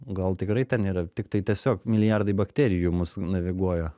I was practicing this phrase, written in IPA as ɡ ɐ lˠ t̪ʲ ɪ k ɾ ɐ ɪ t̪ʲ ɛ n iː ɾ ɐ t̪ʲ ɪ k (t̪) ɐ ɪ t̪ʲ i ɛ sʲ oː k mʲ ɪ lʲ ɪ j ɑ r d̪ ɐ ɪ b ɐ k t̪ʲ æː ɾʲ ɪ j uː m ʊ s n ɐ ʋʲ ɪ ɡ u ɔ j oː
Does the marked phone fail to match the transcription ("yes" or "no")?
no